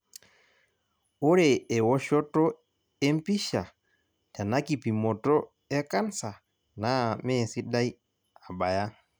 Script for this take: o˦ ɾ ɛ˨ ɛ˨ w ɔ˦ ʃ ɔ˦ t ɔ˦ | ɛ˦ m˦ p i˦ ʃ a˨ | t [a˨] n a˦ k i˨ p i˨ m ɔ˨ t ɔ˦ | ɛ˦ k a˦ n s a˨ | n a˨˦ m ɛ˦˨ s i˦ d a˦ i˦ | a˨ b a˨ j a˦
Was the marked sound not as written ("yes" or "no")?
no